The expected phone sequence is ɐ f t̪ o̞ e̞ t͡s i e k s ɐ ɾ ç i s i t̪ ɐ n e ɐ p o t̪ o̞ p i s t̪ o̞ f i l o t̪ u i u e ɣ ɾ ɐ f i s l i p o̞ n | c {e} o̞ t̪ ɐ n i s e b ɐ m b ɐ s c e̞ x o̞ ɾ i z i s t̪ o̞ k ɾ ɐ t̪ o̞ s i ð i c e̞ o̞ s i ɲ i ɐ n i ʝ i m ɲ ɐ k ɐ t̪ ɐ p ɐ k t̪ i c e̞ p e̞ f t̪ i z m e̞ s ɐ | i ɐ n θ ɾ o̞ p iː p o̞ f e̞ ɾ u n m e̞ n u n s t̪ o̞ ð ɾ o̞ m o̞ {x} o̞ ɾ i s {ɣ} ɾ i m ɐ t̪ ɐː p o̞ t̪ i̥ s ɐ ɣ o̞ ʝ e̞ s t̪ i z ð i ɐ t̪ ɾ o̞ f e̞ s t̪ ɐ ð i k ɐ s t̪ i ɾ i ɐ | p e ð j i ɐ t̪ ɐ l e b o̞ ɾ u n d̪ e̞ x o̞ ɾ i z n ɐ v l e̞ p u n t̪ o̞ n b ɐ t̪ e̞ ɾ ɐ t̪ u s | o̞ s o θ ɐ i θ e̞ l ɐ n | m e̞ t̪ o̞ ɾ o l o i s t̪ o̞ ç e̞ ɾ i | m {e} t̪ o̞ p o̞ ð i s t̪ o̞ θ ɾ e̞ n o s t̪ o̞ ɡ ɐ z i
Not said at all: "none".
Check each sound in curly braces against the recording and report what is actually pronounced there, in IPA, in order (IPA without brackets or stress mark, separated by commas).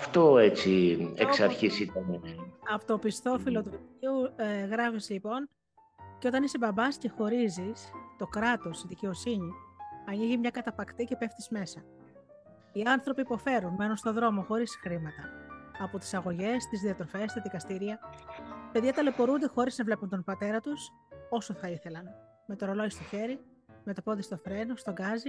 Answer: e, x, x, e